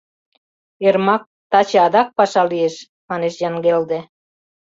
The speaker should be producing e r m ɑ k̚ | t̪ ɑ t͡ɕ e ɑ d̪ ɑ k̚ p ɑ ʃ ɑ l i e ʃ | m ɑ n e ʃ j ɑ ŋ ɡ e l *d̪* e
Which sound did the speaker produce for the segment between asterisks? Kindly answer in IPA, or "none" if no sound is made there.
d̪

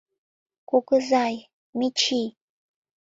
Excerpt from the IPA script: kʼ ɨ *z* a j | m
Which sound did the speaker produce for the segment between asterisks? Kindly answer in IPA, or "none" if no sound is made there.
z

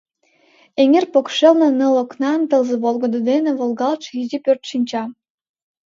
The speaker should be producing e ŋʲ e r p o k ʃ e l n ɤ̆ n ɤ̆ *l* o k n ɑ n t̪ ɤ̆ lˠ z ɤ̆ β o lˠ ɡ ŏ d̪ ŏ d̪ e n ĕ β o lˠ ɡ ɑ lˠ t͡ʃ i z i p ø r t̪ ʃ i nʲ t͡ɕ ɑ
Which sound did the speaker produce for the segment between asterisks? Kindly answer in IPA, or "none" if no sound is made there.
l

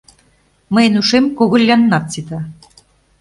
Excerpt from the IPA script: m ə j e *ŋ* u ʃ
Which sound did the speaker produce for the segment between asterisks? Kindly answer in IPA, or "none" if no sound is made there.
n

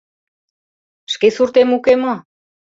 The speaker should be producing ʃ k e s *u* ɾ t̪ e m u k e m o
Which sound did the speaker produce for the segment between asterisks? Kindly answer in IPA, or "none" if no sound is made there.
u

